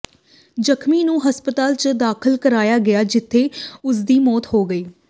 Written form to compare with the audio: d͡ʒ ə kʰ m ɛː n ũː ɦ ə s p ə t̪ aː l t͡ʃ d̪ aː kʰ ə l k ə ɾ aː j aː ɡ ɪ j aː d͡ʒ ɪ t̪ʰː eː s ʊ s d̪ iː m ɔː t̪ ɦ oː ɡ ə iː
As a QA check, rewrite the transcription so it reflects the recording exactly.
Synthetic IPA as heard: d͡ʒ ə kʰ m iː n ũː ɦ ə s p ə t̪ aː l t͡ʃ d̪ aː kʰ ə l k ə ɾ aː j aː ɡ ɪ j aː d͡ʒ ɪ t̪ʰː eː ʊ s d̪ iː m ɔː t̪ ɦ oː ɡ ə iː